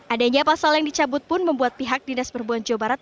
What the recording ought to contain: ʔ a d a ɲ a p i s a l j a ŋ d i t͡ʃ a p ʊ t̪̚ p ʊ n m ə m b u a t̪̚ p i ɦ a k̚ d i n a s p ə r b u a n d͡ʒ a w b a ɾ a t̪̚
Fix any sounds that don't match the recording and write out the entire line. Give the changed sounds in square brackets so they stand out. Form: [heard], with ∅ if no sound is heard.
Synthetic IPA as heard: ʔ a d a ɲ a p [a] s a l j a ŋ d i t͡ʃ a [b] ʊ t̪̚ p ʊ n m ə m b u a t̪̚ p i ɦ a k̚ d i n a s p ə r b u a n d͡ʒ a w b a ɾ a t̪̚